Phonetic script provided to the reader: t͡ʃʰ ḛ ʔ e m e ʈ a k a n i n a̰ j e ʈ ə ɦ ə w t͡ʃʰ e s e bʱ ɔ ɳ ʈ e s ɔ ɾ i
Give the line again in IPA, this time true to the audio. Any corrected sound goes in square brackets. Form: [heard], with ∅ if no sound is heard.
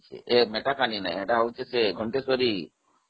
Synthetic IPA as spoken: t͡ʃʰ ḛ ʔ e m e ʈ a k a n i n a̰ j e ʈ [a] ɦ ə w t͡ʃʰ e s e [ɡʱ] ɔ ɳ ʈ e s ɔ ɾ i